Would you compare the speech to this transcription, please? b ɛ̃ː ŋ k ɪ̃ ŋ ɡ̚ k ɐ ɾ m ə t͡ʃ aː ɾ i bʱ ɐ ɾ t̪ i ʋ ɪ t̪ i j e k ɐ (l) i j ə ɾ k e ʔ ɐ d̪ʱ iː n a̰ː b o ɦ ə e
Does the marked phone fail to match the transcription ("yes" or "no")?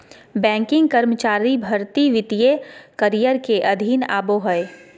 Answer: yes